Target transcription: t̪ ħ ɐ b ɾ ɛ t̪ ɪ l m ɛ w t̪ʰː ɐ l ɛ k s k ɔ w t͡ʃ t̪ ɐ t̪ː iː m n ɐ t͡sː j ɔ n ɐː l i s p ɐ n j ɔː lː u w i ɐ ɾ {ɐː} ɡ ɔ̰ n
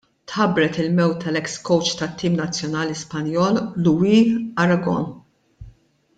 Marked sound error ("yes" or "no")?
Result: yes